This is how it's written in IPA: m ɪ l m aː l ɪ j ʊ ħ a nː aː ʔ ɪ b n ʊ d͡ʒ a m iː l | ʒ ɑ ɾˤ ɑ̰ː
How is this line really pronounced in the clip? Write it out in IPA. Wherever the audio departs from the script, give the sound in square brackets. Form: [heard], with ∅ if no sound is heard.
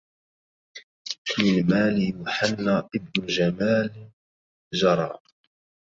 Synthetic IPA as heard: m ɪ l m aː l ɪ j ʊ ħ a nː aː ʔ ɪ b n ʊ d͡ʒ a m [aː] l | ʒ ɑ ɾˤ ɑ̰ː